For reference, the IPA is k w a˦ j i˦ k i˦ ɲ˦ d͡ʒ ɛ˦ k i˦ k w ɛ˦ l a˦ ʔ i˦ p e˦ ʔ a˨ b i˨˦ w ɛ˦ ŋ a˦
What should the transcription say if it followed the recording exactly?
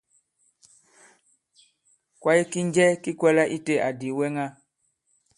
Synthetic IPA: k w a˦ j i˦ k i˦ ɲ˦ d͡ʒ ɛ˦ k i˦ k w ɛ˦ l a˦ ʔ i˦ t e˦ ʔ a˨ d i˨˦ w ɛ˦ ŋ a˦